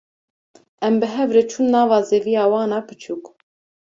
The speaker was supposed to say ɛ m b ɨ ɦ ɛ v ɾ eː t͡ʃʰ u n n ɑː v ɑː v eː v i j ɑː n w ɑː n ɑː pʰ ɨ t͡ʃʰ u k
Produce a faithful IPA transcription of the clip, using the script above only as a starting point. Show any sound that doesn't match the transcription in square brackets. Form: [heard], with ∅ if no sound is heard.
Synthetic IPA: ɛ m b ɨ ɦ ɛ v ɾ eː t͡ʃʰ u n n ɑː v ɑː [z] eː v i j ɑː [∅] w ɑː n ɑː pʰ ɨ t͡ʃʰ u k